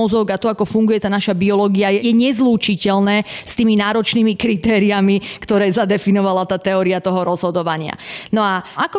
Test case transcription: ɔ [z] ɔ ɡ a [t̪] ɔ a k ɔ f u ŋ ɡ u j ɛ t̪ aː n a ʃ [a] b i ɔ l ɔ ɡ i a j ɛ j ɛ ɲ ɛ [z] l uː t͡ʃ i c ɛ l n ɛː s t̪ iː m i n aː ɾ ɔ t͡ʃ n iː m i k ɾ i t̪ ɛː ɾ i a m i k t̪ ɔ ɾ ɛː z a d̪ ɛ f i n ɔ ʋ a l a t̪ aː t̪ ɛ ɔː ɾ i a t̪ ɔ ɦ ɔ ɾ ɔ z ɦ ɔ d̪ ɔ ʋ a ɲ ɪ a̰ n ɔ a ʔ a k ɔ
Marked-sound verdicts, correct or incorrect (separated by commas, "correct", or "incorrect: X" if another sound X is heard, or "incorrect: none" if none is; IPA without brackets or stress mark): correct, correct, correct, correct